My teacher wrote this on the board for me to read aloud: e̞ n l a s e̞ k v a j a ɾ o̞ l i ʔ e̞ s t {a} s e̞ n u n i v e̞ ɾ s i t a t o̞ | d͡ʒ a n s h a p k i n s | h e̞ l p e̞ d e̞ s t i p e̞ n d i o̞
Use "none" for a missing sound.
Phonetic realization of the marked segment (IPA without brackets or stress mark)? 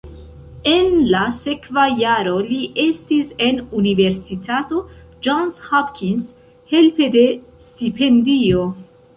i